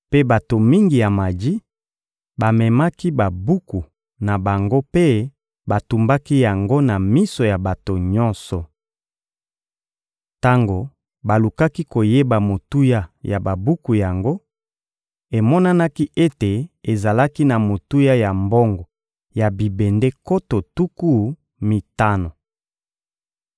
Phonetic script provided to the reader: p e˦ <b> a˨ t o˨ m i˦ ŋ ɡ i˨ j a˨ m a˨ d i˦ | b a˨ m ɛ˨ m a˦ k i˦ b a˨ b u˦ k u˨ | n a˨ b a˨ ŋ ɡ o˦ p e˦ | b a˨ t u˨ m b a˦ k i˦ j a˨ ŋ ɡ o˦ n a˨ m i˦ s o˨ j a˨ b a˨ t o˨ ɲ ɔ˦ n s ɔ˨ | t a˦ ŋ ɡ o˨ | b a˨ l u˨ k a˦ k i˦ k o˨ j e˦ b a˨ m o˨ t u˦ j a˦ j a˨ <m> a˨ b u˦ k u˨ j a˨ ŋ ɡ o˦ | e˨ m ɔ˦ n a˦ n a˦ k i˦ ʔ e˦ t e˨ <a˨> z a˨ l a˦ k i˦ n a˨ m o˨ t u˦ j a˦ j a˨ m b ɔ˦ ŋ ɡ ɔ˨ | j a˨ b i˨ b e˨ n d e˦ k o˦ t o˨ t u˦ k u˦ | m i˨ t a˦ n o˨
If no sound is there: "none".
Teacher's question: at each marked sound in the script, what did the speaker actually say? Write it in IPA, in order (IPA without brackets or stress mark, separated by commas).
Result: b, b, e˨